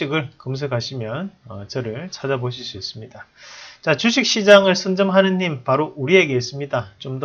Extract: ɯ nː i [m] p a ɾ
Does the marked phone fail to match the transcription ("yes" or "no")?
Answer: no